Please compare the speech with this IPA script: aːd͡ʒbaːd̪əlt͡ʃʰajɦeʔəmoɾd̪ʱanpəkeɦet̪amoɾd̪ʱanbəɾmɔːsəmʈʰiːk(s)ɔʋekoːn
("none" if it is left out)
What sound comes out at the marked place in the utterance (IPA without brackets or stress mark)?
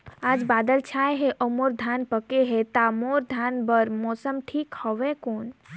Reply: h